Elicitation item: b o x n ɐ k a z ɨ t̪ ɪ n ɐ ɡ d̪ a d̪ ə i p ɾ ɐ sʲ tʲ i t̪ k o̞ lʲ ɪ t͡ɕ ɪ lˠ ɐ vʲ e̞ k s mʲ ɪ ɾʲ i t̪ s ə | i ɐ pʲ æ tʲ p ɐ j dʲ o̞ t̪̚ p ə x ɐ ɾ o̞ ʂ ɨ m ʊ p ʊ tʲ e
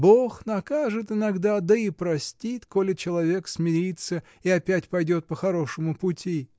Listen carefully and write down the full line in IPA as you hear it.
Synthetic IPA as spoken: b o x n ɐ k a ʐ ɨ t̪ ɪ n ɐ ɡ d̪ a d̪ ə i p ɾ ɐ sʲ tʲ i t̪ k o̞ lʲ ɪ t͡ɕ ɪ lˠ ɐ vʲ e̞ k s mʲ ɪ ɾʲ i t̪ s ə | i ɐ pʲ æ tʲ p ɐ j dʲ o̞ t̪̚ p ə x ɐ ɾ o̞ ʂ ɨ m ʊ p ʊ tʲ i